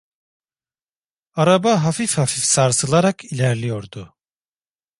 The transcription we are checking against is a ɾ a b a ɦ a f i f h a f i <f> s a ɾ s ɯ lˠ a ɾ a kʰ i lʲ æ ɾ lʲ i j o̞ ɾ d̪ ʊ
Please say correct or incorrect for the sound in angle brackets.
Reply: correct